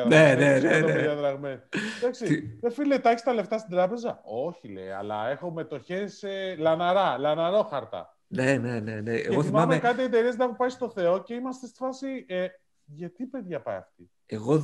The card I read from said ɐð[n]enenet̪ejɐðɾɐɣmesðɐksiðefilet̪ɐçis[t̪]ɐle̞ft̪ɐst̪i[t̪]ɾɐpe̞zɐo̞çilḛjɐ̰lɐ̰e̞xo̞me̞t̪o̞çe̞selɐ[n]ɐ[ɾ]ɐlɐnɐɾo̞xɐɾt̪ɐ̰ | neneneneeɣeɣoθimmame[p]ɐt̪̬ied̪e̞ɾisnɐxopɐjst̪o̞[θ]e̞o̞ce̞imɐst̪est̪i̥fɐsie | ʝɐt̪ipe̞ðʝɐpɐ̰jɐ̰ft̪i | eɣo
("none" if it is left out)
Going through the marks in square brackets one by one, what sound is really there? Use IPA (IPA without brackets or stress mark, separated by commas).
n, t̪, d̪, n, ɾ, k, θ